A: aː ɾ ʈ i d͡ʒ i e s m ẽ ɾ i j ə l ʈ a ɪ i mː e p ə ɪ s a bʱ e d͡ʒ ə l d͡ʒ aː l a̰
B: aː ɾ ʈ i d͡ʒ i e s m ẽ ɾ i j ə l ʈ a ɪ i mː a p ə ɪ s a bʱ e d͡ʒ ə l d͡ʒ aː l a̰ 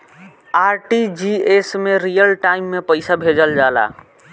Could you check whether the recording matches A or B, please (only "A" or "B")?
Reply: A